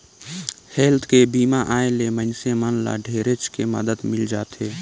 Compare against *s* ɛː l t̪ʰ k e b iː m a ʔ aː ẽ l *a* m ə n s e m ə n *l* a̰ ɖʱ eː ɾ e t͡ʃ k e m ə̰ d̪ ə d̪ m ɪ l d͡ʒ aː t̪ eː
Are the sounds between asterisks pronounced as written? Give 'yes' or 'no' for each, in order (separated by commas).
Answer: no, no, yes